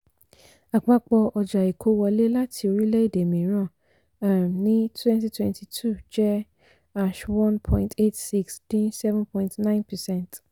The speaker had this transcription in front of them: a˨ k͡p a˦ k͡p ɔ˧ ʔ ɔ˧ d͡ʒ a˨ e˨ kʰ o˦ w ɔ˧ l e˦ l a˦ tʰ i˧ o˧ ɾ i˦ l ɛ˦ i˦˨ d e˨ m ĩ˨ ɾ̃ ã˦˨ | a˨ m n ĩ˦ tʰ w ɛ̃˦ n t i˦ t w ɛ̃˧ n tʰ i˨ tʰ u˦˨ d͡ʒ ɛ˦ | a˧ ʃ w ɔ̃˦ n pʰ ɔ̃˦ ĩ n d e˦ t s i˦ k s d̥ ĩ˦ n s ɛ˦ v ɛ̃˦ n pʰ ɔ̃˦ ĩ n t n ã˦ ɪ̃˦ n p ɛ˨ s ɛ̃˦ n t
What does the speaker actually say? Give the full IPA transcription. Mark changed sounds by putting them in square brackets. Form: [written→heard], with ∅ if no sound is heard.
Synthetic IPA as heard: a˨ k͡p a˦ k͡p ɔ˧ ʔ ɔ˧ d͡ʒ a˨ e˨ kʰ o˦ w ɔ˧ l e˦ l a˦ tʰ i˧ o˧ ɾ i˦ l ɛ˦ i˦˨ d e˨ m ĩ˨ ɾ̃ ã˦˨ | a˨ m n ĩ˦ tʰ w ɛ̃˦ n t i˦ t w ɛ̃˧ n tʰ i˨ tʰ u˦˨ d͡ʒ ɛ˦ | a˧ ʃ w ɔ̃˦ n pʰ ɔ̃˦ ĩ n [d→t] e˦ t s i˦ k s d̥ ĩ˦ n s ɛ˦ v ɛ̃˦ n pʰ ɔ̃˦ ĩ n t n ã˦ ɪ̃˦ n p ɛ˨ s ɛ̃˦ n t